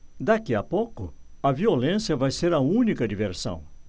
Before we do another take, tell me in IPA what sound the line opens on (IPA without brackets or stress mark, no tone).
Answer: d̪